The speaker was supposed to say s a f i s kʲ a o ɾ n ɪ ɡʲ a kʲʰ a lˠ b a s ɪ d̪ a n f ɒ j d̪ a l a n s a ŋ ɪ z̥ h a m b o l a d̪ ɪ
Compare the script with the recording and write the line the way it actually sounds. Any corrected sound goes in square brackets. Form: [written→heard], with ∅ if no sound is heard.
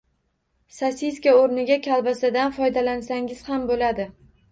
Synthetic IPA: s a [f→s] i s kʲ a o ɾ n ɪ ɡʲ a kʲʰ a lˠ b a s ɪ d̪ a n f ɒ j d̪ a l a n s a ŋ ɪ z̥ h a m b o l a d̪ ɪ